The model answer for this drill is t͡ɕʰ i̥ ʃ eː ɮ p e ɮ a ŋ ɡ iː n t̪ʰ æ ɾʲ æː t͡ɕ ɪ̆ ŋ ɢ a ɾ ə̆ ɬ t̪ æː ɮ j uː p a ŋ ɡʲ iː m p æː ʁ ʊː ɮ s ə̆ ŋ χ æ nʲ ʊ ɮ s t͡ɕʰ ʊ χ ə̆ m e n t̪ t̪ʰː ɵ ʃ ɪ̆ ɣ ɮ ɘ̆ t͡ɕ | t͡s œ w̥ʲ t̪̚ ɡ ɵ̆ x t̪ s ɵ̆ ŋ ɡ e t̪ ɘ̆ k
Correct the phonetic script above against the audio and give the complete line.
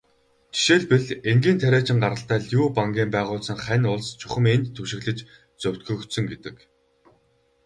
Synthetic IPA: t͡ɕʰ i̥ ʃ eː ɮ p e ɮ e ŋ ɡ iː n t̪ʰ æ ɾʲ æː t͡ɕ ɪ̆ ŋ ɢ a ɾ ə̆ ɬ t̪ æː ɮ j uː p a ŋ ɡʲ iː m p æː ʁ ʊː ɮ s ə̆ ŋ χ æ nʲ ʊ ɮ s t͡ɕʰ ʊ χ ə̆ m e n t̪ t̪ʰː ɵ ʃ ɪ̆ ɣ ɮ ɘ̆ t͡ɕ | t͡s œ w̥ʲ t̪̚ ɡ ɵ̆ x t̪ s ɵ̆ ŋ ɡ e t̪ ɘ̆ k